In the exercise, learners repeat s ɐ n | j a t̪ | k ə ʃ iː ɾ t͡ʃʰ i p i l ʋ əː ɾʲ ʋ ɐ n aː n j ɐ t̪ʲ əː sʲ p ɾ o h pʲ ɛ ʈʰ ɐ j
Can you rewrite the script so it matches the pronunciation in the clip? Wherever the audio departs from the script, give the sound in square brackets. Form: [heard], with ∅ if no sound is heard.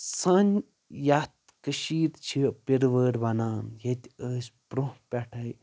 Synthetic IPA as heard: s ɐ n | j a t̪ | k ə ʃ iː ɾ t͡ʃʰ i p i [ɾ] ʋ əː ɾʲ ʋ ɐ n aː n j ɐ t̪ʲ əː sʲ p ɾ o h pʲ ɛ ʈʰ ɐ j

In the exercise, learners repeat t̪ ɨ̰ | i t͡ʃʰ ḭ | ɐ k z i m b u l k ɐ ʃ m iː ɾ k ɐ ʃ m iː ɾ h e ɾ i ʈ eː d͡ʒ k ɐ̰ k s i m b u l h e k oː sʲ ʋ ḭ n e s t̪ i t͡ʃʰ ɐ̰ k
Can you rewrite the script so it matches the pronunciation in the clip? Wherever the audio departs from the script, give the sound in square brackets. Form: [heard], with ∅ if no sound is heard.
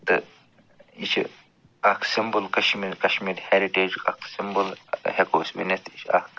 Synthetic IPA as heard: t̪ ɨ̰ | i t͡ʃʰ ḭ | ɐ k [s] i m b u l k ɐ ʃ m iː ɾ k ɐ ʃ m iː ɾ h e ɾ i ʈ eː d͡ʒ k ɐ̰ k s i m b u l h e k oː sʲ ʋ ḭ n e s t̪ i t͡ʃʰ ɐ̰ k

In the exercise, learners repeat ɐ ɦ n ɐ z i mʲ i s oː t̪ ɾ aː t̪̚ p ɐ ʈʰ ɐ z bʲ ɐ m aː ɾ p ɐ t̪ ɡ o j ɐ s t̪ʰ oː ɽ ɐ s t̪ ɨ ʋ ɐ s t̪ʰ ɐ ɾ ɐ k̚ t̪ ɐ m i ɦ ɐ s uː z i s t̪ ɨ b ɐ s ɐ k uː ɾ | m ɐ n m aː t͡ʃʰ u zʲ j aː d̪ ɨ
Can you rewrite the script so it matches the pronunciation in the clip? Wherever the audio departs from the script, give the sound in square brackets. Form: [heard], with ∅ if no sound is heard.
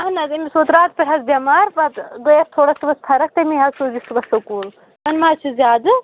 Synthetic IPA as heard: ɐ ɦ n ɐ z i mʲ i s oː t̪ ɾ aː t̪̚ p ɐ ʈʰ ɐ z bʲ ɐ m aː ɾ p ɐ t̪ ɡ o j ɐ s t̪ʰ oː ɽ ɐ s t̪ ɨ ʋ ɐ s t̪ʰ ɐ ɾ ɐ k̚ t̪ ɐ m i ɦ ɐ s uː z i s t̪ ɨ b ɐ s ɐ k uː [l] | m ɐ n m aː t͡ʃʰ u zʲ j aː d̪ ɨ

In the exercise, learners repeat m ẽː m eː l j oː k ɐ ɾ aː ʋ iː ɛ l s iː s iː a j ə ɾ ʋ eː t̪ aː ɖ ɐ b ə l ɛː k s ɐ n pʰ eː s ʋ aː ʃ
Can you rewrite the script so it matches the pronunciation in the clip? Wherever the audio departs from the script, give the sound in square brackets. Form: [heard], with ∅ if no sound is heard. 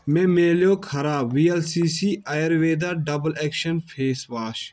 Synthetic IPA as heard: m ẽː m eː l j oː [kʰ] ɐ ɾ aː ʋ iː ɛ l s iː s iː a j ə ɾ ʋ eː [d̪] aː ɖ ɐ b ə l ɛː k [ʃ] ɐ n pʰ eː s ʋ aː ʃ

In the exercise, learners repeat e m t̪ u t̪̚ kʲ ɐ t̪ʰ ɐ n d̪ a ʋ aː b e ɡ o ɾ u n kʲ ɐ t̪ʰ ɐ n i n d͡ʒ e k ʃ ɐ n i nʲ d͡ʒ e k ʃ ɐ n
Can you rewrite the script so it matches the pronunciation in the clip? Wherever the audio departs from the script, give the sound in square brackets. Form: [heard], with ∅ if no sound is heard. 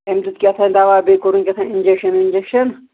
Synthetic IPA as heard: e m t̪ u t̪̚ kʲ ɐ t̪ʰ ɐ n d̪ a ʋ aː b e [k] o ɾ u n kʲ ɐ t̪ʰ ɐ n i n d͡ʒ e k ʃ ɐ n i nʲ d͡ʒ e k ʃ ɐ n

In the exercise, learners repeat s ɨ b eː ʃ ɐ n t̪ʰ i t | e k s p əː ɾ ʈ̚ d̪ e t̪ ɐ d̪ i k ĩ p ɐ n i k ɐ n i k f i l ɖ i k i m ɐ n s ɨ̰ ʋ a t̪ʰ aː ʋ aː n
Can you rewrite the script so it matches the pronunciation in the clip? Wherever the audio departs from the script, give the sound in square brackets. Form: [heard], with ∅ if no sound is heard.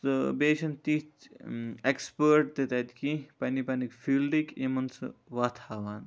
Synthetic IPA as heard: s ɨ b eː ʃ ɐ n [t̪] i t | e k s p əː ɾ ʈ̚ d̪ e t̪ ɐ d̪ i k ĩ p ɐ n i [p] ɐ n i k f i l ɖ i k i m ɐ n s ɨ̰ ʋ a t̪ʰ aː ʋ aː n

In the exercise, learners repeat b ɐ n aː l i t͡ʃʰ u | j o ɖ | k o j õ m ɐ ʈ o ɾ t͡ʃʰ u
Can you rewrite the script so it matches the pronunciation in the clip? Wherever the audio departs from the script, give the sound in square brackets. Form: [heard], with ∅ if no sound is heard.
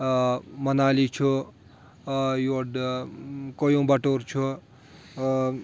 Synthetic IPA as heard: [m] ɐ n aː l i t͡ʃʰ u | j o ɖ | k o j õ [b] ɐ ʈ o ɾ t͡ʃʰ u

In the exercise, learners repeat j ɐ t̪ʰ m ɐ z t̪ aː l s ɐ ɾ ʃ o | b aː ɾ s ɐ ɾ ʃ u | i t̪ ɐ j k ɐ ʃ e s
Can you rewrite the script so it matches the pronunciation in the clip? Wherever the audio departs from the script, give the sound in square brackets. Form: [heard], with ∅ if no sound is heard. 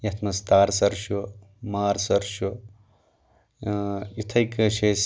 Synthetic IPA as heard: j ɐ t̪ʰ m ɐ [s] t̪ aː [ɾ] s ɐ ɾ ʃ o | [m] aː ɾ s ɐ ɾ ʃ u | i [t̪ʰ] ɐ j k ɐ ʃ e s

